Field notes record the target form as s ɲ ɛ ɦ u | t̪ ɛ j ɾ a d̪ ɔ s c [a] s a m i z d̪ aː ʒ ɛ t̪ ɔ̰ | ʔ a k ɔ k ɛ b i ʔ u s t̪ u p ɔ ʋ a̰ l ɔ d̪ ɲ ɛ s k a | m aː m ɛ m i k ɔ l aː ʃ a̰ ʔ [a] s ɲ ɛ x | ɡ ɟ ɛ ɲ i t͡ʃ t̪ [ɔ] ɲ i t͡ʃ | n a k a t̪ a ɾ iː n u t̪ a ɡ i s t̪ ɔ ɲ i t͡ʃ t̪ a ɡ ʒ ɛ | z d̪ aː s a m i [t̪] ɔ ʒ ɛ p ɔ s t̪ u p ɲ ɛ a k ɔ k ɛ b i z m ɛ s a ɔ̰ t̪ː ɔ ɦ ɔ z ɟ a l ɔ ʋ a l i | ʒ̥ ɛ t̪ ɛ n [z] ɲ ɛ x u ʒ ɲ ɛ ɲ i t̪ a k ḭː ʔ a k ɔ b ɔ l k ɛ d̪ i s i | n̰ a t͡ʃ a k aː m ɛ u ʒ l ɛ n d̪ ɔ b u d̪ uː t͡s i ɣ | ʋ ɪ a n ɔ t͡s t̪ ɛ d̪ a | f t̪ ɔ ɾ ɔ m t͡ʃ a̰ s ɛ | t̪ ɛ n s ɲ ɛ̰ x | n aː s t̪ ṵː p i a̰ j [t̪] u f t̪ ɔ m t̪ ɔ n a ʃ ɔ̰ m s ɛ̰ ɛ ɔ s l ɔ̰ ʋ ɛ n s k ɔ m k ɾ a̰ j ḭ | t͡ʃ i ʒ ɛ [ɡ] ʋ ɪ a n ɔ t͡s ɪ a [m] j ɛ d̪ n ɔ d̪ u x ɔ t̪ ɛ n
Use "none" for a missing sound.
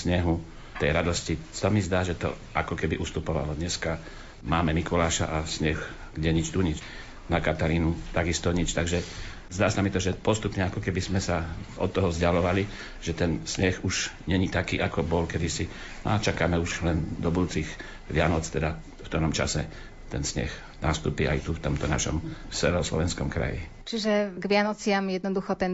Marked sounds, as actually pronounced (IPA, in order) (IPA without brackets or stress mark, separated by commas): i, a, u, t̪, s, t̪, ɡ, m